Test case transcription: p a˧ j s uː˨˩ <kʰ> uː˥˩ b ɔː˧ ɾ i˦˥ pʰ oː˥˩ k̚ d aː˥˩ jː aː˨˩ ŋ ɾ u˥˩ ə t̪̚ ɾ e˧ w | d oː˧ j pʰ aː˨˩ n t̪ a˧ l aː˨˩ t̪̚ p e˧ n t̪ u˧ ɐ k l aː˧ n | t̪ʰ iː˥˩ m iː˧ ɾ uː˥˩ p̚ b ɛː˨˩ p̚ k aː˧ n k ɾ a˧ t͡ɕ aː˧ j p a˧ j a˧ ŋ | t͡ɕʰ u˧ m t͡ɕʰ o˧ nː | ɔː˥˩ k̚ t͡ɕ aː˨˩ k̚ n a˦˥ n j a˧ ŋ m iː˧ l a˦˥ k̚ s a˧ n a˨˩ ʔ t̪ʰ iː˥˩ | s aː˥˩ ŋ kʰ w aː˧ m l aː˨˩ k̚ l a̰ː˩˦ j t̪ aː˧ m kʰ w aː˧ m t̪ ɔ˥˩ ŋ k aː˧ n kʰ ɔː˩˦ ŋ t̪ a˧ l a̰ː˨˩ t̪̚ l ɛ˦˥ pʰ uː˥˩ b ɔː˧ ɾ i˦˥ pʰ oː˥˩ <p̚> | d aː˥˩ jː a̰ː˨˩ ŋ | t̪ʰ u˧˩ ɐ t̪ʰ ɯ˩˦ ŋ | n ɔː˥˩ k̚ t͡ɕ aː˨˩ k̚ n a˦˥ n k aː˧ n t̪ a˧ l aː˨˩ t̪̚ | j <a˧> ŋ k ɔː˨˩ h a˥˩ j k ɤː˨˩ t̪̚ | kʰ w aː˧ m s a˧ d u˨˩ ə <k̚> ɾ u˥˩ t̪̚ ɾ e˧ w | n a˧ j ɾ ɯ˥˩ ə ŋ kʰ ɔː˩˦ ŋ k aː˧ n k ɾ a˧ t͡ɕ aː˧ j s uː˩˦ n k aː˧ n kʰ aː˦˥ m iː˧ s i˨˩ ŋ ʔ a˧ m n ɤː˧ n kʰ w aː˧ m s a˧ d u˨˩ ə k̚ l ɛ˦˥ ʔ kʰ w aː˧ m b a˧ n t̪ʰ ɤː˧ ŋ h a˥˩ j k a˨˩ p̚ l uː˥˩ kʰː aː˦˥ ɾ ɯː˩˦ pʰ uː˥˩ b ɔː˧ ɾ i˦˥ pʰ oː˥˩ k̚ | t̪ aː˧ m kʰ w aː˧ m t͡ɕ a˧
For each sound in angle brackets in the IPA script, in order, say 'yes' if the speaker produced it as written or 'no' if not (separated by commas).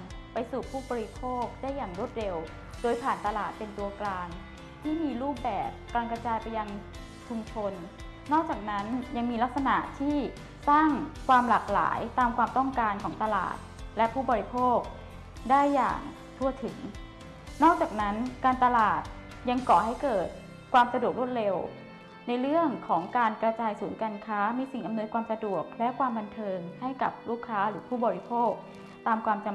no, no, yes, yes